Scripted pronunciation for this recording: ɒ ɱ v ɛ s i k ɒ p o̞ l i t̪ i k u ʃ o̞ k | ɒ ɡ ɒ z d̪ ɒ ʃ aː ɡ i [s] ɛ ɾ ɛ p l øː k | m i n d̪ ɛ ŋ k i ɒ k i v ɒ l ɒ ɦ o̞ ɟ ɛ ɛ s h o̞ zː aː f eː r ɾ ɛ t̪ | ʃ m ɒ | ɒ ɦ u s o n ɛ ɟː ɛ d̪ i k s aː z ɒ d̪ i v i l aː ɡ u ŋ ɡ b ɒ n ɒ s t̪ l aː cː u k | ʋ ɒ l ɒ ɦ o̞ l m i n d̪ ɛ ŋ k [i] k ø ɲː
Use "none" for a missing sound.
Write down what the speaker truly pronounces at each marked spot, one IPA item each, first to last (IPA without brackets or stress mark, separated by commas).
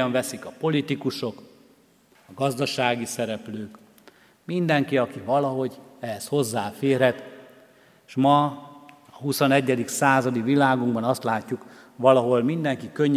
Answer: s, i